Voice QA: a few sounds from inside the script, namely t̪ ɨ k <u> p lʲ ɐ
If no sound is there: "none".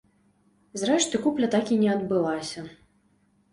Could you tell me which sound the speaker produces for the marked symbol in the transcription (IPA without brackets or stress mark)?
u